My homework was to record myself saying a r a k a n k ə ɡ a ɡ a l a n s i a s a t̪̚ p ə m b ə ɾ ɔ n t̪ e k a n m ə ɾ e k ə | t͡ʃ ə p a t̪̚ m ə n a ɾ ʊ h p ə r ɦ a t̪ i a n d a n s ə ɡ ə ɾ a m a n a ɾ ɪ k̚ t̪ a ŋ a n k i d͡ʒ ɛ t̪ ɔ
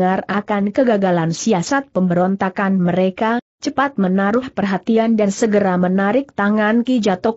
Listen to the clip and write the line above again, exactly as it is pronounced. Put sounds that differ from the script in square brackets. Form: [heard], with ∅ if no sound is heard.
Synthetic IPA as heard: a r a k a n k ə ɡ a ɡ a l a n s i a s a t̪̚ p ə m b ə ɾ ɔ n t̪ [a] k a n m ə ɾ e k [a] | t͡ʃ ə p a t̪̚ m ə n a ɾ ʊ h p ə r ɦ a t̪ i a n d a n s ə ɡ ə ɾ a m [ə] n a ɾ ɪ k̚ t̪ a ŋ a n k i d͡ʒ [a] t̪ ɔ